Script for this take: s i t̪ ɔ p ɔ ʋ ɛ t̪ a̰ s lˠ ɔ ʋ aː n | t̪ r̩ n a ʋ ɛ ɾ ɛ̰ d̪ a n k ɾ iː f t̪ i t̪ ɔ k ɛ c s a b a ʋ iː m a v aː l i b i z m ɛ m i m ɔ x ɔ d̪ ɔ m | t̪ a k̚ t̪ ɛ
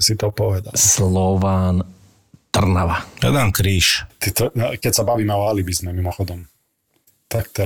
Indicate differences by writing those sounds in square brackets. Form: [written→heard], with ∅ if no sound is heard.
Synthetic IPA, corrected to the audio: s i t̪ ɔ p ɔ ʋ ɛ [t̪→d̪] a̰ s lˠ ɔ ʋ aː n | t̪ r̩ n a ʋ [ɛ→a] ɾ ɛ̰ d̪ a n k ɾ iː [f→ʃ] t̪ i t̪ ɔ k ɛ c s a b a ʋ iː m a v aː l i b i z m ɛ m i m ɔ x ɔ d̪ ɔ m | t̪ a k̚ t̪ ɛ